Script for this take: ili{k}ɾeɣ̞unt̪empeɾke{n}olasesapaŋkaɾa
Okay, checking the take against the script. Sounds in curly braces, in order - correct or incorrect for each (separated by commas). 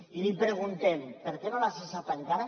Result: incorrect, correct